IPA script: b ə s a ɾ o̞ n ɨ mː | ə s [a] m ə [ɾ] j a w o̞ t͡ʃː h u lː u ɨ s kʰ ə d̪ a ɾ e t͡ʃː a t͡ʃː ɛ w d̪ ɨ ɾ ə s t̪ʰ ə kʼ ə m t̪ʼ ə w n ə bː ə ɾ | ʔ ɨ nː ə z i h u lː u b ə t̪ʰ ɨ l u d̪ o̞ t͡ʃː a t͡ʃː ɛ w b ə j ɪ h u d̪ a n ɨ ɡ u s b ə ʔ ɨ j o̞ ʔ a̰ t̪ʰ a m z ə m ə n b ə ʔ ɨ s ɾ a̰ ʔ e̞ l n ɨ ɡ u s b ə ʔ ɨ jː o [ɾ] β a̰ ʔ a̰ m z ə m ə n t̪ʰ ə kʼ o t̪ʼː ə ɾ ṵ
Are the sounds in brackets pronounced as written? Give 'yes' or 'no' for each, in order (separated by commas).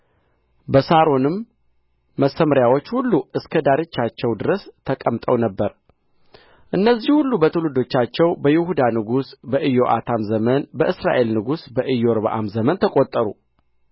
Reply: no, yes, yes